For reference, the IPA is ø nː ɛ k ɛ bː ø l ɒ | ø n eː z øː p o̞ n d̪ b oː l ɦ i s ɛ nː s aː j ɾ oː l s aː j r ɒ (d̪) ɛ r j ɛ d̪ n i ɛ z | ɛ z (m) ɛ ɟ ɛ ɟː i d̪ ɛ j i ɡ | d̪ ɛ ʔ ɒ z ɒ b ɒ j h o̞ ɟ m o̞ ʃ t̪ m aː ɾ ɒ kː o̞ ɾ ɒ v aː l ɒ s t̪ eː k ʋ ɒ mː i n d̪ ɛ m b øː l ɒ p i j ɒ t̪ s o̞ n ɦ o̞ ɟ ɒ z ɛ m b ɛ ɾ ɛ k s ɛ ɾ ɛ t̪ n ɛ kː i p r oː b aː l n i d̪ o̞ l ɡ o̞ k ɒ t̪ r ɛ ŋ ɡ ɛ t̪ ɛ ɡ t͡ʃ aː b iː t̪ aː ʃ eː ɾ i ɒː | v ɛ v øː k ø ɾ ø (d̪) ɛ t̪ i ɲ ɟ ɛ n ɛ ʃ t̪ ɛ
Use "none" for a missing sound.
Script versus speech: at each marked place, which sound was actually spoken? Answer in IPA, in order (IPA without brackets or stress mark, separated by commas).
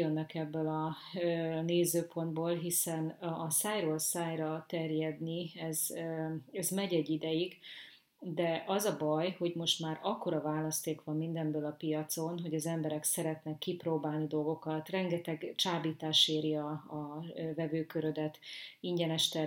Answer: t̪, m, d̪